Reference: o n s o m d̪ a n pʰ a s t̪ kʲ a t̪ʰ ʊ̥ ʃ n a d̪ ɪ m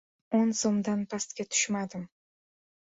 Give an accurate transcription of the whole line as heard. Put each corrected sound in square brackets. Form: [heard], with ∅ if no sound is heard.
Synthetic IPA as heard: o n s o m d̪ a n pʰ a s t̪ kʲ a t̪ʰ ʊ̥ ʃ [m] a d̪ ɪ m